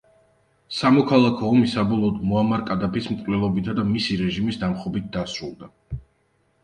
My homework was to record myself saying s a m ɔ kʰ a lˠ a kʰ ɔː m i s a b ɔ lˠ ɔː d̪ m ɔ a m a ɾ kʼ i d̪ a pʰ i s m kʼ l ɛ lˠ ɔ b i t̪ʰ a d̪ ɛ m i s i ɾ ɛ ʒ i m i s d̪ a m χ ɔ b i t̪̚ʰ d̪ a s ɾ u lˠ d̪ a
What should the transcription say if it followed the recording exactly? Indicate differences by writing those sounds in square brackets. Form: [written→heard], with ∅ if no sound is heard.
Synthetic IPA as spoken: s a m ɔ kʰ a lˠ a kʰ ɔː m i s a b ɔ lˠ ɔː d̪ m ɔ a m a ɾ kʼ [i→a] d̪ a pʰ i s m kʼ l ɛ lˠ ɔ b i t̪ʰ a d̪ [ɛ→a] m i s i ɾ ɛ ʒ i m i s d̪ a m χ ɔ b i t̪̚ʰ d̪ a s ɾ u lˠ d̪ a